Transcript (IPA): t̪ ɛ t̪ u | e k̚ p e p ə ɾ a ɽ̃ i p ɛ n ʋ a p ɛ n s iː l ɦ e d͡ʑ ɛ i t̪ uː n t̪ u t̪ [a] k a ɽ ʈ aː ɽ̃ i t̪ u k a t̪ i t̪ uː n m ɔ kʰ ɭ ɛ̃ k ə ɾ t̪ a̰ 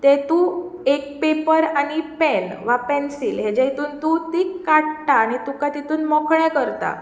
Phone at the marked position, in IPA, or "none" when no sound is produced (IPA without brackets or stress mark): i